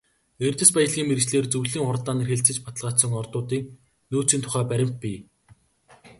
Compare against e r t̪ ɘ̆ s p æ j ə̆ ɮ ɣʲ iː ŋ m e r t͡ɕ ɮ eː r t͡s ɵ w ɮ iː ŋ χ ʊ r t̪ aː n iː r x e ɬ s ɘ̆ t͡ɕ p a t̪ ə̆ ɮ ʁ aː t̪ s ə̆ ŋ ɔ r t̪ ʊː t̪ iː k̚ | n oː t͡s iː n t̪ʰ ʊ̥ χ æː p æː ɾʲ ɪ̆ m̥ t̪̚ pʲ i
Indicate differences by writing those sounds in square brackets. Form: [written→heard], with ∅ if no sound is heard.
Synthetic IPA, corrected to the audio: e r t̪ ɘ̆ s p æ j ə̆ ɮ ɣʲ iː ŋ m e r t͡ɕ ɮ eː r t͡s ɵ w ɮ iː ŋ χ ʊ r t̪ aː n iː r x e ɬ [s→t͡s] ɘ̆ t͡ɕ p a t̪ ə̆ ɮ ʁ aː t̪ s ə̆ ŋ ɔ r t̪ ʊː t̪ iː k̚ | n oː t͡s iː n t̪ʰ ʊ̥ χ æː p [æː→æ] ɾʲ ɪ̆ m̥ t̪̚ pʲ i